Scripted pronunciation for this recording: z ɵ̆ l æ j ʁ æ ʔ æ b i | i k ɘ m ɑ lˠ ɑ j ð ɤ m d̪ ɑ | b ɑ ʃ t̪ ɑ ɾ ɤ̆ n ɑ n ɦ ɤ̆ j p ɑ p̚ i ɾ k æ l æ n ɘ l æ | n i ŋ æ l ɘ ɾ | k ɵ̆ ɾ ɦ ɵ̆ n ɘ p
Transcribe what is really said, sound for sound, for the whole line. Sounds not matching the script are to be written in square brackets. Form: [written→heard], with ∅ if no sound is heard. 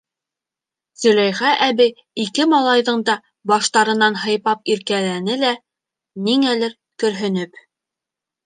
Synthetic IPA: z ɵ̆ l æ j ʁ æ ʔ æ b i | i k ɘ m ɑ lˠ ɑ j ð ɤ [m→ɴ] d̪ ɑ | b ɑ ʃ t̪ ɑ ɾ ɤ̆ n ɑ n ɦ ɤ̆ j p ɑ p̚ i ɾ k æ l æ n ɘ l æ | n i ŋ æ l ɘ ɾ | k ɵ̆ ɾ ɦ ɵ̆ n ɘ p